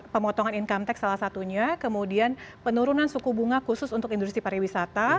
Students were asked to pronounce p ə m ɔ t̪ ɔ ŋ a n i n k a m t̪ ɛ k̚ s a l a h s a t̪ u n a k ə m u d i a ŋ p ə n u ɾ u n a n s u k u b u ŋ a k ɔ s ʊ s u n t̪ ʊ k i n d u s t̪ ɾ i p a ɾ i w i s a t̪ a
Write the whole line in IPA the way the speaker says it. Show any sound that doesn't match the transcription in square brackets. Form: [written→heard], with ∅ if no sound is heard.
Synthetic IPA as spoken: p ə m ɔ t̪ ɔ ŋ a n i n k a m t̪ ɛ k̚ s a l a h s a t̪ u [n→ɲ] a k ə m u d i a [ŋ→n] p ə n u ɾ u n a n s u k u b u ŋ a k [ɔ→u] s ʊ s u n t̪ ʊ k i n d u s t̪ ɾ i p a ɾ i w i s a t̪ a

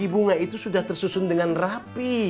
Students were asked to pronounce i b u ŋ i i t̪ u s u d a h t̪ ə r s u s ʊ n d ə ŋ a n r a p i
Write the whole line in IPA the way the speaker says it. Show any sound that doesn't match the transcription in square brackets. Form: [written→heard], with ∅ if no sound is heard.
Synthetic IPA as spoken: i b u ŋ [i→a] i t̪ u s u d a h t̪ ə r s u s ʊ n d ə ŋ a n r a p i

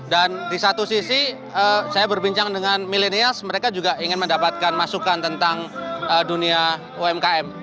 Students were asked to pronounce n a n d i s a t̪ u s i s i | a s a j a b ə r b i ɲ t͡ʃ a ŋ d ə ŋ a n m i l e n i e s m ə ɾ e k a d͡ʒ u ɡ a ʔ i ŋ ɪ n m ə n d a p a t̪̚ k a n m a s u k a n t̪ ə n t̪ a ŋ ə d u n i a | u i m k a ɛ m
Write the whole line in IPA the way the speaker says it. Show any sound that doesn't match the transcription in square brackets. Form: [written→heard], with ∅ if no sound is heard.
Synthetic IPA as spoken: [n→d] a n d i s a t̪ u s i s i | [a→ə] s a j a b ə r b i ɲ t͡ʃ a ŋ d ə ŋ a n m i l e n i [e→a] s m ə ɾ e k a d͡ʒ u ɡ a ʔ i ŋ ɪ n m ə n d a p a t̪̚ k a n m a s u k a n t̪ ə n t̪ a ŋ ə d u n i a | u [i→ɛ] m k a ɛ m

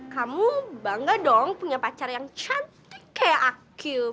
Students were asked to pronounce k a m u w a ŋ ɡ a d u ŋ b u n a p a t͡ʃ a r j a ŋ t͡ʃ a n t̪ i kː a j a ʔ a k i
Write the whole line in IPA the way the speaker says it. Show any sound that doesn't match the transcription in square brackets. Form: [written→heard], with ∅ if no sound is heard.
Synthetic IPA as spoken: k a m u [w→b] a ŋ ɡ a d [u→ɔ] ŋ [b→p] u [n→ɲ] a p a t͡ʃ a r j a ŋ t͡ʃ a n t̪ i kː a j a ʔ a k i

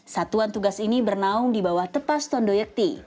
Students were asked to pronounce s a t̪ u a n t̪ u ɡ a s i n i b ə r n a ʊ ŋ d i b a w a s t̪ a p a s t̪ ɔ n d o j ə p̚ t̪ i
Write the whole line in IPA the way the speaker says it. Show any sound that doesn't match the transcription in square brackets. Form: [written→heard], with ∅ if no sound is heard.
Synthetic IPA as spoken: s a t̪ u a n t̪ u ɡ a s i n i b ə r n a ʊ ŋ d i b a w a [s→h] t̪ [a→ə] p a s t̪ ɔ n d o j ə [p̚→k̚] t̪ i

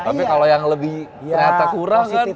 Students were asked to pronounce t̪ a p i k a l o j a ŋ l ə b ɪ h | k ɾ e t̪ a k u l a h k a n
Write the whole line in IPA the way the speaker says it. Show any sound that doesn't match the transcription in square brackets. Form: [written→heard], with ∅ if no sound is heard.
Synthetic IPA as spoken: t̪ a p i k a l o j a ŋ l ə b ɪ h | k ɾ [e→a] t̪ a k u [l→ɾ] a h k a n

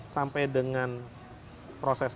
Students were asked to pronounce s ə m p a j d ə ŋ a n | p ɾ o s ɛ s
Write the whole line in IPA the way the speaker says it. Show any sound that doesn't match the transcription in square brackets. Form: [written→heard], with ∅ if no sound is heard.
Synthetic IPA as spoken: s [ə→a] m p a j d ə ŋ a n | p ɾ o s ɛ s

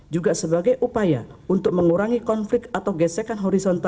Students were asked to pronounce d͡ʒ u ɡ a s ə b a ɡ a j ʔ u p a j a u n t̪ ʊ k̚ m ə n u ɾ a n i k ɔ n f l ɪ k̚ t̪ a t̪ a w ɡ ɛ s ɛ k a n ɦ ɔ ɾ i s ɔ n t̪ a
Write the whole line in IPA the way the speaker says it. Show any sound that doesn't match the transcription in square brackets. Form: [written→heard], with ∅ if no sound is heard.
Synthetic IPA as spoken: d͡ʒ u ɡ a s ə b a ɡ a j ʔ u p a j a u n t̪ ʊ k̚ m ə [n→ŋ] u ɾ a [n→ŋ] i k ɔ n f l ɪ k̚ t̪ a t̪ a w ɡ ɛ s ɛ k a n ɦ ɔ ɾ i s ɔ n t̪ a

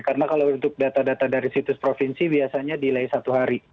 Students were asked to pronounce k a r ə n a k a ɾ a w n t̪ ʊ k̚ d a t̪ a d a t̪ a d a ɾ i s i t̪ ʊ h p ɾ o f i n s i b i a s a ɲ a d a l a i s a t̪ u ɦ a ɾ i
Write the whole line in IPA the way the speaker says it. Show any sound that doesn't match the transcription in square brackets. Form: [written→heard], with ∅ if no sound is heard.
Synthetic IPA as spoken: k a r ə n a k a [ɾ→l] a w n t̪ ʊ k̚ d a t̪ a d a t̪ a d a ɾ i s i t̪ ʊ [h→s] p ɾ o f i n s i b i a s a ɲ a d [a→i] l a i s a t̪ u ɦ a ɾ i

